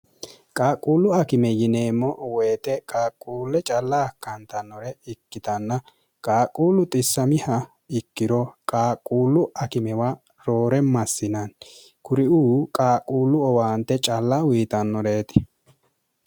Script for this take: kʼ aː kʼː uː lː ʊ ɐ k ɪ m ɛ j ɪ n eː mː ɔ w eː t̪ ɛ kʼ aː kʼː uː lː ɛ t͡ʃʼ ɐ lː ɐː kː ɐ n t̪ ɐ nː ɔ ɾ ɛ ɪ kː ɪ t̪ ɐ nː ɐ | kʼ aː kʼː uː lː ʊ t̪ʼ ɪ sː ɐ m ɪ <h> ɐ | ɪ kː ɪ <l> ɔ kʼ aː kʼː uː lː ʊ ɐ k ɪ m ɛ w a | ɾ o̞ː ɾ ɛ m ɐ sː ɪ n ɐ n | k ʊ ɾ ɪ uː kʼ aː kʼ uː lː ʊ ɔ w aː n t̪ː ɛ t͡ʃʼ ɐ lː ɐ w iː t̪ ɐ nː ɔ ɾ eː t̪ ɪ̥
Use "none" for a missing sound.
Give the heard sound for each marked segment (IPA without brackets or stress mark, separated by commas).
h, ɾ